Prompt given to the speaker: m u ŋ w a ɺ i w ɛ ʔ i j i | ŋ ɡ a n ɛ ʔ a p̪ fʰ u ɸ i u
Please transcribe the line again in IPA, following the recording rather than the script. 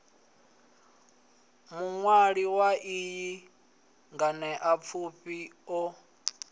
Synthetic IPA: m u ŋ w a ɺ i w a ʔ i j i | ŋ ɡ a n ɛ ʔ a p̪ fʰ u ɸ i ɔ